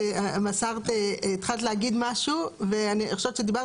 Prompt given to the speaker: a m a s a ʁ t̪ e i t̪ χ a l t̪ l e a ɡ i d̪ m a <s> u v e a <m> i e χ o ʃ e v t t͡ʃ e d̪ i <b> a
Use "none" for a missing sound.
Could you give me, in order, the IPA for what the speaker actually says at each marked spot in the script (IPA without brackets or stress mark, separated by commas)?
ʃ, n, b